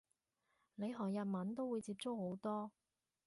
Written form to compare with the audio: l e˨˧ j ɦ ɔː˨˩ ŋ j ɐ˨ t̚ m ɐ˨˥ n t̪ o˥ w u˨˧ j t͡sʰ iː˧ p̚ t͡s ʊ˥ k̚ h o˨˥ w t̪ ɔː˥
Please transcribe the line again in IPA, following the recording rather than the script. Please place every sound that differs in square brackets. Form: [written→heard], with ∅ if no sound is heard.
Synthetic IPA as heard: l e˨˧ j ɦ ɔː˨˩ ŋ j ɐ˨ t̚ m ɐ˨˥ n t̪ o˥ w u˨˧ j [t͡sʰ→t͡s] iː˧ p̚ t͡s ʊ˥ k̚ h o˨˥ w t̪ ɔː˥